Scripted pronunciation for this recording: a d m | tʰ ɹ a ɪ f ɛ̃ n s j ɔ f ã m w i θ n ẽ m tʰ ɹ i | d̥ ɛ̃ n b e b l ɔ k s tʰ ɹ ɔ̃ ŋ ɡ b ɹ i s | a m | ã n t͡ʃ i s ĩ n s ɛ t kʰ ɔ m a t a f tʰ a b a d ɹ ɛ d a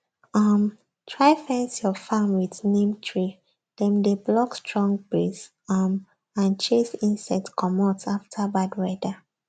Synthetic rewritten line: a m | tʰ ɹ a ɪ f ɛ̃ n s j ɔ f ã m w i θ n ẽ m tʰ ɹ i | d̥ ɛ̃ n d e b l ɔ k s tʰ ɹ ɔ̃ ŋ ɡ b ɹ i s | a m | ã n t͡ʃ e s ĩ n s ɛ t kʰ ɔ m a t a f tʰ a b a d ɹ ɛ d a